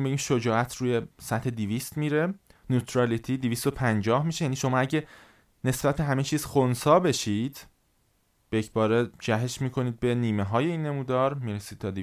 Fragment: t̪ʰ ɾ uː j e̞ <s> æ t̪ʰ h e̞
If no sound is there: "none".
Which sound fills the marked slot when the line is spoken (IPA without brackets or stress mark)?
s